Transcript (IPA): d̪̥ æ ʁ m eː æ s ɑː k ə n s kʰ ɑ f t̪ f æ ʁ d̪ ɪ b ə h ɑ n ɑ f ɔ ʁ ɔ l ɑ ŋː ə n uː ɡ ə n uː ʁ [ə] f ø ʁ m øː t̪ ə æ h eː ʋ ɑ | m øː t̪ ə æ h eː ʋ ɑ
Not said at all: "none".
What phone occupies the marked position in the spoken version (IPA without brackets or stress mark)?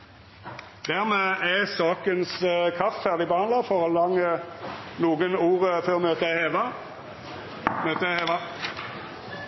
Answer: ə